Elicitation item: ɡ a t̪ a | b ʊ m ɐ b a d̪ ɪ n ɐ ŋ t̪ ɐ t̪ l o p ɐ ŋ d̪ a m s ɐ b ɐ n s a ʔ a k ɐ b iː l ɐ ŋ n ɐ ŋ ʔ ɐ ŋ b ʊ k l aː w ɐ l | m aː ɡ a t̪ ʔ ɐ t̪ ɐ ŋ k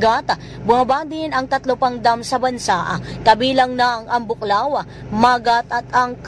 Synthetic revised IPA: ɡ a t̪ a | b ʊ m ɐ b a d̪ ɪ n ɐ ŋ t̪ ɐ t̪ l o p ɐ ŋ d̪ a m s ɐ b ɐ n s a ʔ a k ɐ b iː l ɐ ŋ n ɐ ŋ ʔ ɐ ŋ b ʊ k l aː w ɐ | m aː ɡ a t̪ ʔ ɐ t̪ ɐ ŋ k